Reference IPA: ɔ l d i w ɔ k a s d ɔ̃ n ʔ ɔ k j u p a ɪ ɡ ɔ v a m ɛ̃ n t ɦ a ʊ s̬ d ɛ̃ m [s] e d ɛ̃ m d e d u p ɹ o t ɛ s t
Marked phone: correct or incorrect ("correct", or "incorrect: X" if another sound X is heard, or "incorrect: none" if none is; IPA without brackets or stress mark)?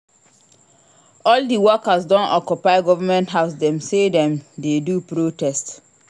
correct